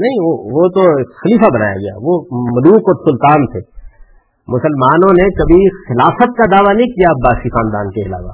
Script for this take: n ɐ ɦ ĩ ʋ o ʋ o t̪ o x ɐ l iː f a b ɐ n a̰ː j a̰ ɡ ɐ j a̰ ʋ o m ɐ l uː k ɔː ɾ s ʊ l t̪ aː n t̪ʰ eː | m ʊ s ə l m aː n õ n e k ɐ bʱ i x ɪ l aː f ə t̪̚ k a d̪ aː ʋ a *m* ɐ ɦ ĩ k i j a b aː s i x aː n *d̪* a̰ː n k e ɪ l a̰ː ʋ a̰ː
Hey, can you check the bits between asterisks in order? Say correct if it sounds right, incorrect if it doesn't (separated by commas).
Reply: incorrect, correct